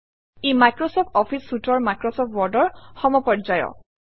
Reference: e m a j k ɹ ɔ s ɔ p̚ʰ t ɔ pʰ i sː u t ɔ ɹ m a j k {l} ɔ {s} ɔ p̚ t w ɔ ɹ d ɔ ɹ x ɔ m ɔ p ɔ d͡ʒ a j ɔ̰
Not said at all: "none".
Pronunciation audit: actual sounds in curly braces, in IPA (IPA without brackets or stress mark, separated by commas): ɹ, s